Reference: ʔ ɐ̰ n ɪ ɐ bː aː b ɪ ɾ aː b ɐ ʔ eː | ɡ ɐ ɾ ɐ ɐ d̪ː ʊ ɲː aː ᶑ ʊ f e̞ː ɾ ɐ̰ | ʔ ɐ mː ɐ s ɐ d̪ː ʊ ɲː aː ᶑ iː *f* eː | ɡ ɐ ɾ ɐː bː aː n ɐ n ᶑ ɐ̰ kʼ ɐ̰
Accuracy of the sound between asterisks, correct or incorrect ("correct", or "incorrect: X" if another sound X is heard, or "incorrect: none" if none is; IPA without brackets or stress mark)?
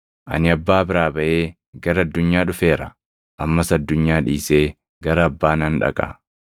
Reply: incorrect: s